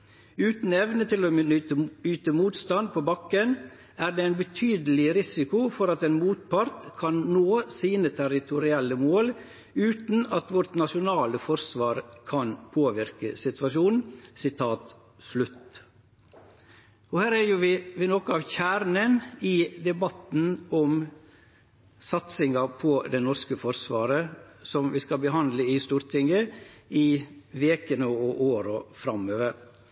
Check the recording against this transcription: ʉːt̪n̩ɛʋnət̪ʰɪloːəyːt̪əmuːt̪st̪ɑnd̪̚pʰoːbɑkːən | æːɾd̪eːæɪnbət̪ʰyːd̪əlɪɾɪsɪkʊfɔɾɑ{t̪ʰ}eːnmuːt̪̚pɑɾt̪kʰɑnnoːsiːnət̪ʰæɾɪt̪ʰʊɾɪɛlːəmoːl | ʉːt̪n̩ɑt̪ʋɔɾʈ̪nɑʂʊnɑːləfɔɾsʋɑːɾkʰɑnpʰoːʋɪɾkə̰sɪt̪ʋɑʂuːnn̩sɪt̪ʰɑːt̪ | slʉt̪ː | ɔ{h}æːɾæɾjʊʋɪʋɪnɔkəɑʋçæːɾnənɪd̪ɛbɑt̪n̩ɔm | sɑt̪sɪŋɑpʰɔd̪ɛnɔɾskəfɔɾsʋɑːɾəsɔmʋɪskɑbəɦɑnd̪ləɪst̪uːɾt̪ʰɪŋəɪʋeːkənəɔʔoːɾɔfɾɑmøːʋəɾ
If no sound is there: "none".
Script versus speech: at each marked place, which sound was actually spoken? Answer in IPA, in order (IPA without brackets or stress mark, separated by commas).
t̪, h